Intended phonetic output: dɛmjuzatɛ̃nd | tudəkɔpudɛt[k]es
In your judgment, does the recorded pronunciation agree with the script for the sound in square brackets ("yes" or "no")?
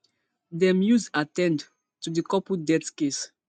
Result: yes